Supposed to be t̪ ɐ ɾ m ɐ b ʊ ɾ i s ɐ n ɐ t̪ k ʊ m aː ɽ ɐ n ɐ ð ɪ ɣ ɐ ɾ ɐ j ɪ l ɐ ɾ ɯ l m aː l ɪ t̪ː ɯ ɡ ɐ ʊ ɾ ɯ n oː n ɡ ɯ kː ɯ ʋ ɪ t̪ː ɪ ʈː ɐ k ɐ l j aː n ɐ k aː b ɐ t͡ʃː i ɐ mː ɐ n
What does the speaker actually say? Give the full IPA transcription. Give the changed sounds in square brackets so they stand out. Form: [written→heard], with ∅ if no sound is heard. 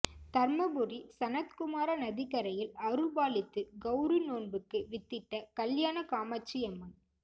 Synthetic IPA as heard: t̪ ɐ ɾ m ɐ b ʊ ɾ i s ɐ n ɐ t̪ k ʊ m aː [ɽ→ɾ] ɐ n ɐ ð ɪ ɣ ɐ ɾ ɐ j ɪ l ɐ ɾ ɯ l [m→b] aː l ɪ t̪ː ɯ ɡ ɐ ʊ ɾ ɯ n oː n [ɡ→b] ɯ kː ɯ ʋ ɪ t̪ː ɪ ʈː ɐ k ɐ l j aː n ɐ k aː [b→m] ɐ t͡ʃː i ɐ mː ɐ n

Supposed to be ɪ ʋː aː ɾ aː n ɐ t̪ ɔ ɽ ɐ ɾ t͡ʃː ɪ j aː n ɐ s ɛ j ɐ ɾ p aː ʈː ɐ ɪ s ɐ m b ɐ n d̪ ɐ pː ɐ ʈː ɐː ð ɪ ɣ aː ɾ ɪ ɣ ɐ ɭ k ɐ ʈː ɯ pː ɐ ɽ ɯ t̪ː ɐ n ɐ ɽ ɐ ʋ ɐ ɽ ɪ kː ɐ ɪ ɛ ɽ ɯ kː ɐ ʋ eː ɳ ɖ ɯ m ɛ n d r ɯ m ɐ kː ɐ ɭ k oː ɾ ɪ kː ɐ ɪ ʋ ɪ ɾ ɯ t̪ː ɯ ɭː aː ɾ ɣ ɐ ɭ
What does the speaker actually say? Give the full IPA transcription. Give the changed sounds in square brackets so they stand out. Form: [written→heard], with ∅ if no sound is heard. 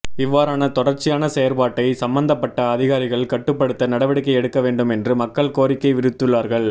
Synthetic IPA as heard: ɪ ʋː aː ɾ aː n ɐ t̪ ɔ ɽ ɐ ɾ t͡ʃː ɪ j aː n ɐ s ɛ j ɐ ɾ p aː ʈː ɐ ɪ s ɐ m b ɐ n d̪ ɐ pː ɐ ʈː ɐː ð ɪ ɣ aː ɾ ɪ ɣ ɐ ɭ k ɐ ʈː ɯ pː ɐ ɽ ɯ t̪ː ɐ n ɐ ɽ ɐ ʋ ɐ ɽ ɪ kː ɐ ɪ ɛ ɽ ɯ kː ɐ ʋ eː ɳ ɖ ɯ m ɛ n d r ɯ m ɐ kː ɐ ɭ k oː ɾ ɪ kː ɐ ɪ ʋ ɪ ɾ ɯ t̪ː ɯ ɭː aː ɾ ɣ ɐ ɭ

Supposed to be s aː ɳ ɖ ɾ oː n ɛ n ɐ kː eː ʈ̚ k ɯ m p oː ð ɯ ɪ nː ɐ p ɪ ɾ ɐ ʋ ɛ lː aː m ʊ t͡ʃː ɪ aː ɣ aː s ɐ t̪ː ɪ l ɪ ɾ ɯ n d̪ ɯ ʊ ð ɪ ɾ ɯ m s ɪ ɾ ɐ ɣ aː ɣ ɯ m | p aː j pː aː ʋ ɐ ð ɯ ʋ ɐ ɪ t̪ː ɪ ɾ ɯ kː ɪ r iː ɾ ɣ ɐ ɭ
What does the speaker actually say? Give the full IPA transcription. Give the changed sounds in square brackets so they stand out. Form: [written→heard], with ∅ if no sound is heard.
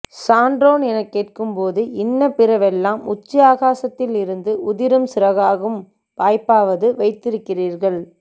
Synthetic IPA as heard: s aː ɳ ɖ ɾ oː n ɛ n ɐ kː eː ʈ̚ k ɯ m p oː ð ɯ ɪ nː ɐ p ɪ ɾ ɐ ʋ ɛ lː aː m ʊ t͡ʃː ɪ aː ɣ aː s ɐ t̪ː ɪ l ɪ ɾ ɯ n d̪ ɯ ʊ ð ɪ ɾ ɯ m s ɪ ɾ ɐ ɣ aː ɣ ɯ m | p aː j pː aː ʋ ɐ ð ɯ ʋ ɐ ɪ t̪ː ɪ ɾ ɯ kː ɪ r iː ɾ ɣ ɐ ɭ

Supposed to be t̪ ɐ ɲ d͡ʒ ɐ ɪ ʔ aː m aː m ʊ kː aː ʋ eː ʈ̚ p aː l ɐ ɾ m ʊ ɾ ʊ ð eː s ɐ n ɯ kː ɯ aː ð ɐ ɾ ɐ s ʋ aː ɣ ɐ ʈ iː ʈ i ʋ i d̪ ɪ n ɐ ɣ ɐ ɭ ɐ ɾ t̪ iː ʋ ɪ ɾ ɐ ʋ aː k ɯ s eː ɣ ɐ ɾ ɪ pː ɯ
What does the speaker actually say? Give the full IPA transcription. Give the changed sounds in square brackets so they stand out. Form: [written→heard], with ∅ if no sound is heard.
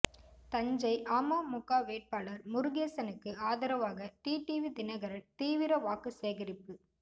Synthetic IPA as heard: t̪ ɐ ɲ d͡ʒ ɐ ɪ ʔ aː m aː m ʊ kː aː ʋ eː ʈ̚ p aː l ɐ ɾ m ʊ ɾ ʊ [ð→ɣ] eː s ɐ n ɯ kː ɯ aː ð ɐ ɾ ɐ [s→∅] ʋ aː ɣ ɐ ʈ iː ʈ i ʋ i d̪ ɪ n ɐ ɣ ɐ [ɭ→ɾ] ɐ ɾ t̪ iː ʋ ɪ ɾ ɐ ʋ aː k ɯ s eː ɣ ɐ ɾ ɪ pː ɯ

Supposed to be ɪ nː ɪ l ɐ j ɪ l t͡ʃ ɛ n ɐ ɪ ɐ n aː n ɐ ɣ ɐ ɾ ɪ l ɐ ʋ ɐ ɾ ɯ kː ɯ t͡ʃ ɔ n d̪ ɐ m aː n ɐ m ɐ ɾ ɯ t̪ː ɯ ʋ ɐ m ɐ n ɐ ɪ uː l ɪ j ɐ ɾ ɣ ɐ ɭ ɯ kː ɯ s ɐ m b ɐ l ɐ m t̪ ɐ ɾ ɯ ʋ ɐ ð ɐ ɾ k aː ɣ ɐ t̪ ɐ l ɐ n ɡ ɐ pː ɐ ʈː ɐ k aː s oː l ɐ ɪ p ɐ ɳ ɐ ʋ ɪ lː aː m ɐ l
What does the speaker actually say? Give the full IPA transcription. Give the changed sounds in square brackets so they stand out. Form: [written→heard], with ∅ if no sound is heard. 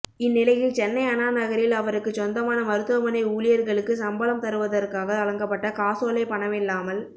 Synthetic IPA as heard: ɪ nː ɪ l ɐ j ɪ l t͡ʃ ɛ [n→nː] ɐ ɪ ɐ n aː n ɐ ɣ ɐ ɾ ɪ l ɐ ʋ ɐ ɾ ɯ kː ɯ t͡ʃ ɔ n d̪ ɐ m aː n ɐ m ɐ ɾ ɯ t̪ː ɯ ʋ ɐ m ɐ n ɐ ɪ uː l ɪ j ɐ ɾ ɣ ɐ ɭ ɯ kː ɯ s ɐ m b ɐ l ɐ m t̪ ɐ ɾ ɯ ʋ ɐ ð ɐ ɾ k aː ɣ ɐ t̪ ɐ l ɐ [n→ŋ] ɡ ɐ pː ɐ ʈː ɐ k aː s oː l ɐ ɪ p ɐ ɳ ɐ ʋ ɪ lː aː m ɐ l

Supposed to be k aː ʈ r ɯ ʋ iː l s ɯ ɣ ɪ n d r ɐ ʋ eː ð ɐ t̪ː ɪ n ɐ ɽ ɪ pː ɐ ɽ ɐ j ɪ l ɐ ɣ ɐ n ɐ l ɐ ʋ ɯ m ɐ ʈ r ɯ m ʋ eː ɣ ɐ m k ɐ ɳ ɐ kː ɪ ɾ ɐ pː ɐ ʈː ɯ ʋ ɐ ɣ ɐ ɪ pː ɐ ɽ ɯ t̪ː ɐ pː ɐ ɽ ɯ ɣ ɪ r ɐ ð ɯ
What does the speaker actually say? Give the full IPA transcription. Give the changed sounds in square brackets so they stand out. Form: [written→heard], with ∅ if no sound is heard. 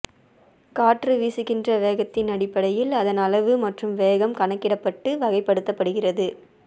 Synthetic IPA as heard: k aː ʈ r ɯ ʋ iː [l→∅] s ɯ ɣ ɪ n d r ɐ ʋ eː [ð→ɣ] ɐ t̪ː ɪ n ɐ ɽ ɪ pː ɐ ɽ ɐ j ɪ l ɐ [ɣ→ð] ɐ n ɐ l ɐ ʋ ɯ m ɐ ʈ r ɯ m ʋ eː ɣ ɐ m k ɐ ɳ ɐ kː ɪ [ɾ→ɽ] ɐ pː ɐ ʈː ɯ ʋ ɐ ɣ ɐ ɪ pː ɐ ɽ ɯ t̪ː ɐ pː ɐ ɽ ɯ ɣ ɪ r ɐ ð ɯ

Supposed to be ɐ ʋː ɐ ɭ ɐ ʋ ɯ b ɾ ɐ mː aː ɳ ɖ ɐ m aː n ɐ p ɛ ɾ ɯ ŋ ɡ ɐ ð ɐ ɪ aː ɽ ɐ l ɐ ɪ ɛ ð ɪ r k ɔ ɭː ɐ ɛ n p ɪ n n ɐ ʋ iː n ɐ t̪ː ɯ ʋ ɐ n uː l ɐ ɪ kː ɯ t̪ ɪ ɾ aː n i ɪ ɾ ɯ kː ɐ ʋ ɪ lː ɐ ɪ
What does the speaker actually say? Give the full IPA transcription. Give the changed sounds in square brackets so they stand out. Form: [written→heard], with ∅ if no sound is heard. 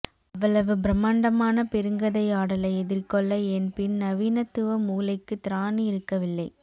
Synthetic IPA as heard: ɐ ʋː ɐ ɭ ɐ ʋ ɯ b ɾ ɐ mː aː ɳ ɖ ɐ m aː n ɐ p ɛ ɾ ɯ ŋ ɡ ɐ ð ɐ ɪ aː ɽ ɐ l ɐ ɪ ɛ ð ɪ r k ɔ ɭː ɐ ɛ n p ɪ n n ɐ ʋ iː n ɐ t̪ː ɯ ʋ ɐ [n→m] uː l ɐ ɪ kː ɯ t̪ ɪ ɾ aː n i ɪ ɾ ɯ kː ɐ ʋ ɪ lː ɐ ɪ

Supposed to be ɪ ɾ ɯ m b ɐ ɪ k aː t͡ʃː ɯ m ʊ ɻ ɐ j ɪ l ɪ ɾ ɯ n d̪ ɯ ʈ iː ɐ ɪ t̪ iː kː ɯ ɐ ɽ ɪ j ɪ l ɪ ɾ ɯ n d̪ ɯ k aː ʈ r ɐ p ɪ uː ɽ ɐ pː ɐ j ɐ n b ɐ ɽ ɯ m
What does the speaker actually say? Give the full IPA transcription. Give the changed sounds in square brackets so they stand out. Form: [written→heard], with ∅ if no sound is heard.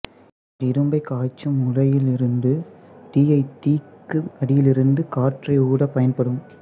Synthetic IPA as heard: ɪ ɾ ɯ m b ɐ ɪ k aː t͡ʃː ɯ m ʊ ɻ ɐ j ɪ l ɪ ɾ ɯ n d̪ ɯ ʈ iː ɐ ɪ t̪ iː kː ɯ ɐ ɽ ɪ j ɪ l ɪ ɾ ɯ n d̪ ɯ k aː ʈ r ɐ [p→∅] ɪ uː ɽ ɐ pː ɐ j ɐ n [b→p] ɐ ɽ ɯ m

